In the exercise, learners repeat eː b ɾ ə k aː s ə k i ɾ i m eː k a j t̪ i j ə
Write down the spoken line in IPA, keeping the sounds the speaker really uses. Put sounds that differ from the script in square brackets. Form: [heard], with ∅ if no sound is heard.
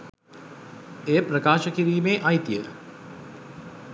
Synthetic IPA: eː [p] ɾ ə k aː [ʃ] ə k i ɾ [iː] m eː [ʔ] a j t̪ i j ə